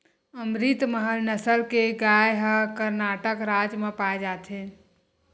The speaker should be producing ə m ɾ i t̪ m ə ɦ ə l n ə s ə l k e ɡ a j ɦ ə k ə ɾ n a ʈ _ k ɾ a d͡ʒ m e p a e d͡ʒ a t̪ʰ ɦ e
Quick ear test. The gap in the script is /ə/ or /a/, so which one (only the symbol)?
ə